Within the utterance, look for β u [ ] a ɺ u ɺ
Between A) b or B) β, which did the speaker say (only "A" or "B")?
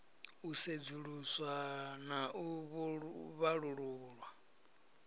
B